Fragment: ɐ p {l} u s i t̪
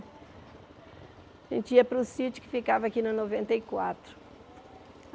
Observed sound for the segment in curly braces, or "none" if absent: ɾ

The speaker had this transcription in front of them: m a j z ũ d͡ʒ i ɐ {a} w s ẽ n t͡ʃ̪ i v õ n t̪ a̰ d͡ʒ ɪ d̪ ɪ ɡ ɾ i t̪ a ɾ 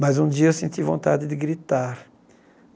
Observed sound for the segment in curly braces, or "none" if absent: e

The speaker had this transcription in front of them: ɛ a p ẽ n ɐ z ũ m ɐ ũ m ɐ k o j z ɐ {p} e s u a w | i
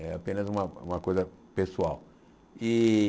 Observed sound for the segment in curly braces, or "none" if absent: p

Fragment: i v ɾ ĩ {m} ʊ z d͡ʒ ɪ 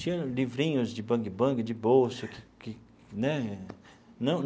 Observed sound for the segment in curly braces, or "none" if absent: ɲ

